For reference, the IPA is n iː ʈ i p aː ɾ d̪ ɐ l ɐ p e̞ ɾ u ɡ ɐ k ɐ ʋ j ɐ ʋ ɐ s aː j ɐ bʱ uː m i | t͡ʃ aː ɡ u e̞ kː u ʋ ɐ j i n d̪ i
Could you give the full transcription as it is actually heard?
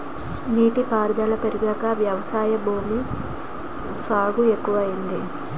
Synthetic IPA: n iː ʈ i p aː ɾ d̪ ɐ l ɐ p e̞ ɾ u ɡ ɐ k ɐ ʋ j ɐ ʋ ɐ s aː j ɐ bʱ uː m i | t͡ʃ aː ɡ u e̞ kː u ʋ ɐ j i n d̪ i